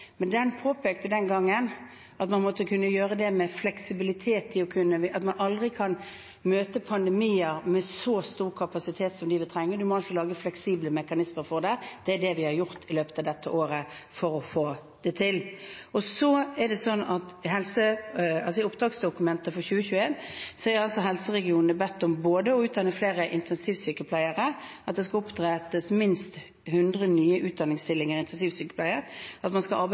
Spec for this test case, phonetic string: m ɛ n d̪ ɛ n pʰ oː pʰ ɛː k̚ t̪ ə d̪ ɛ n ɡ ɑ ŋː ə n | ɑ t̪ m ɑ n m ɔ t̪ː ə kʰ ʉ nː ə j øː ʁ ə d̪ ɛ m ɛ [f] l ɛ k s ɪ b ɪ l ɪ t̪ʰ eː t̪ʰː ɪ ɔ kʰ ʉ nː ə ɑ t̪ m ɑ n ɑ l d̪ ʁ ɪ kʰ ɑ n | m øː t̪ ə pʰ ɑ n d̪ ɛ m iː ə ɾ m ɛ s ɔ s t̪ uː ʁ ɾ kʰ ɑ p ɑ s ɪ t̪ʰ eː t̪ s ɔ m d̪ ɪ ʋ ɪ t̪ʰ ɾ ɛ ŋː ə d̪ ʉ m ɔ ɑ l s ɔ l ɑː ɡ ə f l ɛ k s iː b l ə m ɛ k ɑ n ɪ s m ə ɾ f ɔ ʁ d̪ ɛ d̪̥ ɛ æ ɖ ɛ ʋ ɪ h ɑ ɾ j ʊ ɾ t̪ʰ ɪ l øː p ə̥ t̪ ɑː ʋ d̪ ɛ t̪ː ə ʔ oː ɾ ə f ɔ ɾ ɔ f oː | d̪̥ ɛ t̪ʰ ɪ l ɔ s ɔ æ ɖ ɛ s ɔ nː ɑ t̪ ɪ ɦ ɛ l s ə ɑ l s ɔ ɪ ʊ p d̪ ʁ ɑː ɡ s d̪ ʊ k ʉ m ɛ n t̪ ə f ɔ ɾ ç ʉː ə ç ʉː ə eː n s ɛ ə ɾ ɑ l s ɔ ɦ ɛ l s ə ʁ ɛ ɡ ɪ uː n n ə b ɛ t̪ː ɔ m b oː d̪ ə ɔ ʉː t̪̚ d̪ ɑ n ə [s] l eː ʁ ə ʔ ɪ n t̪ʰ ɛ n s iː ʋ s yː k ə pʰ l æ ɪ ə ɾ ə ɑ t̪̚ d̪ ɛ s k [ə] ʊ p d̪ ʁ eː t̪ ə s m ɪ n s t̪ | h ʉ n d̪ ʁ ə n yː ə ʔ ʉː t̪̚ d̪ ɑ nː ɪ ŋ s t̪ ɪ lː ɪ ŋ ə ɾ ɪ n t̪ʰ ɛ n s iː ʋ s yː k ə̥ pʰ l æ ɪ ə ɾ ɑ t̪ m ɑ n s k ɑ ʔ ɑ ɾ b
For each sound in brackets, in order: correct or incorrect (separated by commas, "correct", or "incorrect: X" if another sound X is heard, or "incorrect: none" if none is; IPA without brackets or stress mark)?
correct, incorrect: f, incorrect: ɑ